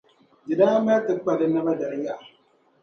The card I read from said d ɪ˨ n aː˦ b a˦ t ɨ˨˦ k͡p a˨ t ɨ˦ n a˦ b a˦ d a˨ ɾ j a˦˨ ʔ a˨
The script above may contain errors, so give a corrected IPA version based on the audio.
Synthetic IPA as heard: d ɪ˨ d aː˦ m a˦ t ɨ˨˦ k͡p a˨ d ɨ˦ n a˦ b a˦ d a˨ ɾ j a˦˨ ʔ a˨